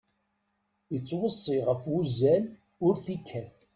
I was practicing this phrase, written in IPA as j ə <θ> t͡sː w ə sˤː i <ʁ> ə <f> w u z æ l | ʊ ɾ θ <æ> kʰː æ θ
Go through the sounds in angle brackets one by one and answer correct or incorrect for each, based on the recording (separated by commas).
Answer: incorrect, correct, correct, incorrect